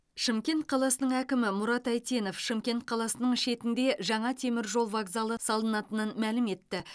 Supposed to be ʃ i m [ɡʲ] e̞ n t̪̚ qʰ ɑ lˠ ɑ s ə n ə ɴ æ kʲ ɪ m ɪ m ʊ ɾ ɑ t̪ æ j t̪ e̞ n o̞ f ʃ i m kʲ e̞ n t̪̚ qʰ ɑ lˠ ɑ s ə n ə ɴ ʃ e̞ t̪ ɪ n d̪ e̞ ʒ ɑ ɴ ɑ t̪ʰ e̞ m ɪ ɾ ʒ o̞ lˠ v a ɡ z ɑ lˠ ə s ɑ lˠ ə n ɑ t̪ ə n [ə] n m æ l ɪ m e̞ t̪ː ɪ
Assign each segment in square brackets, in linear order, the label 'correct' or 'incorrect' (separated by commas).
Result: incorrect, correct